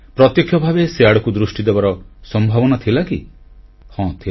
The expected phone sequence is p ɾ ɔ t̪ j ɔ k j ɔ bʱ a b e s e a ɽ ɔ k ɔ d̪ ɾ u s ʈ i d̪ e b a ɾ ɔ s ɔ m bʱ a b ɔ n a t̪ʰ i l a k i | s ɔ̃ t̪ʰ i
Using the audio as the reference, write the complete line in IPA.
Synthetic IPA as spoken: p ɾ ɔ t̪ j ɔ kʰ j ɔ bʱ a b e s e a ɽ ɔ k u d̪ ɾ u s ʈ i d̪ e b a ɾ ɔ s ɔ m bʱ a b ɔ n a t̪ʰ i l a k i | h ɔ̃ t̪ʰ i